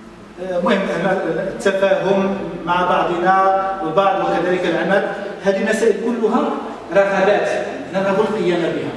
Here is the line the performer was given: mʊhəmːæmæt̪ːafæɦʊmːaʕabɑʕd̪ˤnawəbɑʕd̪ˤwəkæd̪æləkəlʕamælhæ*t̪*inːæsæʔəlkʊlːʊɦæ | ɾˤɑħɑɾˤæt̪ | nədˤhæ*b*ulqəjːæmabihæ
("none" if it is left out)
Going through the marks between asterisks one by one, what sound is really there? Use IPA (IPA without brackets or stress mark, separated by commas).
d̪, b